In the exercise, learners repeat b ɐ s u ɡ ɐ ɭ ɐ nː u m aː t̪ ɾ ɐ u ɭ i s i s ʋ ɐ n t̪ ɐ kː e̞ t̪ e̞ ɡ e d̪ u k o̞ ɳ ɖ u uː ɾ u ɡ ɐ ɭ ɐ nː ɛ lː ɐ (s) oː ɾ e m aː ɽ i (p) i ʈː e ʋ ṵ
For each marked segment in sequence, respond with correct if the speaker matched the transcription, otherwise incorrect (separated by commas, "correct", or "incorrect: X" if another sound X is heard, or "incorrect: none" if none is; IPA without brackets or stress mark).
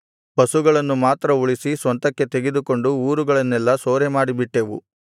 correct, incorrect: b